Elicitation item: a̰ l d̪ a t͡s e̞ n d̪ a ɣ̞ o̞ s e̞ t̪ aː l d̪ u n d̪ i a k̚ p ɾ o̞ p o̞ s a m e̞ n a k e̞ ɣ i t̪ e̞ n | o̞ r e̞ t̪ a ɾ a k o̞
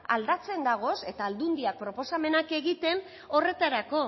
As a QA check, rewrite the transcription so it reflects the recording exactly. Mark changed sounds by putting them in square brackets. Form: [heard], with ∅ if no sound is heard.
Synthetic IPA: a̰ l d̪ a t͡s e̞ n d̪ a ɣ̞ o̞ s e̞ t̪ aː l d̪ u n d̪ i a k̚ p ɾ o̞ p o̞ s a m e̞ n a k e̞ ɣ i t̪ e̞ n | o̞ r e̞ t̪ a ɾ a k o̞

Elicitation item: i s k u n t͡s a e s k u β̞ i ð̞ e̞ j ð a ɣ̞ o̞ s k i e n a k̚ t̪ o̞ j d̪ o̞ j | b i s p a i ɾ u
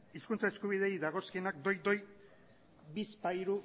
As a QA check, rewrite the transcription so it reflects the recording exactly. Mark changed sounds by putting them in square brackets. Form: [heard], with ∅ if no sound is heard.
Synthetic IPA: i s k u n t͡s a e s k u β̞ i ð̞ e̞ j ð a ɣ̞ o̞ s k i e n a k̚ [d̪] o̞ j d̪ o̞ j | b i s p a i ɾ u

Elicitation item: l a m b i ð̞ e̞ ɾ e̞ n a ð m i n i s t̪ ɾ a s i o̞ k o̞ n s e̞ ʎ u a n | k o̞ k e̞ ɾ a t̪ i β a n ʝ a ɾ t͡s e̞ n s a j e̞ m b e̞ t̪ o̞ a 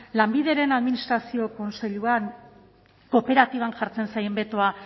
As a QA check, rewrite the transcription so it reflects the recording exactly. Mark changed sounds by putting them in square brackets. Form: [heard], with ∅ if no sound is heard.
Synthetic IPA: l a m b i ð̞ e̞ ɾ e̞ n a ð m i n i s t̪ ɾ a s i o̞ k o̞ n s e̞ ʎ u a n | k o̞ [p] e̞ ɾ a t̪ i β a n ʝ a ɾ t͡s e̞ n s a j e̞ m b e̞ t̪ o̞ a

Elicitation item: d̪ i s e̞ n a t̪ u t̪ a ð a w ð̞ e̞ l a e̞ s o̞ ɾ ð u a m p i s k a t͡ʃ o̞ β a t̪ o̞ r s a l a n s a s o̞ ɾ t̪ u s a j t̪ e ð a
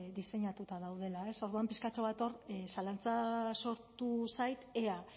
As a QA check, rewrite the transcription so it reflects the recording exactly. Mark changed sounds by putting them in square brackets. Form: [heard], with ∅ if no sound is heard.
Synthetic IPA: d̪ i s e̞ [ɲ] a t̪ u t̪ a ð a w ð̞ e̞ l a e̞ s o̞ ɾ ð u a m p i s k a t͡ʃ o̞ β a t̪ o̞ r s a l a n [t͡s] a s o̞ ɾ t̪ u s a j t̪ e [∅] a

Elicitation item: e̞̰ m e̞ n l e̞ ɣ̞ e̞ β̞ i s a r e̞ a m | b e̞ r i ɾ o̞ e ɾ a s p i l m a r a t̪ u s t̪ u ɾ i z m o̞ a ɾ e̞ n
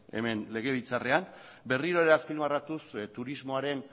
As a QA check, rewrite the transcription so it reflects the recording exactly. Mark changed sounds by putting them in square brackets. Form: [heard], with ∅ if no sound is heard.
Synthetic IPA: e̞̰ m e̞ n l e̞ ɣ̞ e̞ β̞ i [t͡s] a r e̞ a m | b e̞ r i ɾ o̞ e ɾ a s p i l m a r a t̪ u s t̪ u ɾ i z m o̞ a ɾ e̞ n

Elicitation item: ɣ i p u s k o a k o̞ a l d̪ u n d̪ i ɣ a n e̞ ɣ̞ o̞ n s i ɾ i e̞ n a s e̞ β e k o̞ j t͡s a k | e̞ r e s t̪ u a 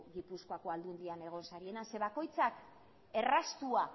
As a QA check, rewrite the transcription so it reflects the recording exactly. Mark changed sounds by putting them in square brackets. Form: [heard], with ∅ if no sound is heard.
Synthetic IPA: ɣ i p u s k o a k o̞ a l d̪ u n d̪ i [∅] a n e̞ ɣ̞ o̞ n s [a] ɾ i e̞ n a s e̞ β [a] k o̞ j t͡s a k | e̞ r [a] s t̪ u a

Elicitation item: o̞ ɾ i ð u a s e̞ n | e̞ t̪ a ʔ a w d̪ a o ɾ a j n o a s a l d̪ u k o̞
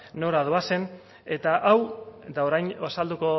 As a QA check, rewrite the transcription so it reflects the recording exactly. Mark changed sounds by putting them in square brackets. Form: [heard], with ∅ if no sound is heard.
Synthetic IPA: o̞ ɾ [a] ð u a s e̞ n | e̞ t̪ a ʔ a w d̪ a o ɾ a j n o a s a l d̪ u k o̞

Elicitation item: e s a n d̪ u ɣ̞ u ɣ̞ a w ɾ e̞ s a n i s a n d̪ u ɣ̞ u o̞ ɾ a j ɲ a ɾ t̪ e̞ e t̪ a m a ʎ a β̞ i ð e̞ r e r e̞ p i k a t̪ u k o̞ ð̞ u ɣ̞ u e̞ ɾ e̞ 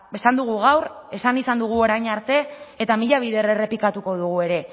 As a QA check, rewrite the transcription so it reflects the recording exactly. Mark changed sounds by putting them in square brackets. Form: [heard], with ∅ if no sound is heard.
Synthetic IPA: e s a n d̪ u ɣ̞ u ɣ̞ a w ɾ e̞ s a n i s a n d̪ u ɣ̞ u o̞ ɾ a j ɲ a ɾ t̪ e̞ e t̪ a m [i] ʎ a β̞ i ð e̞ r e r e̞ p i k a t̪ u k o̞ ð̞ u ɣ̞ u e̞ ɾ e̞

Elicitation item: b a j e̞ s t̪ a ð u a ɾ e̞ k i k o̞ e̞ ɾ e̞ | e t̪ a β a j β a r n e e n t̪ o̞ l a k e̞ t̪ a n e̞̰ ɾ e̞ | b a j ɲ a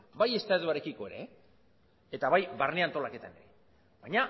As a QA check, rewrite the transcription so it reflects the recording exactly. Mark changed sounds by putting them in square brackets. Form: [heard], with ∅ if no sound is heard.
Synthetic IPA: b a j e̞ s t̪ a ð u a ɾ e̞ k i k o̞ e̞ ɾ e̞ | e t̪ a β a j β a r n e [a] n t̪ o̞ l a k e̞ t̪ a n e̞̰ ɾ e̞ | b a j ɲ a

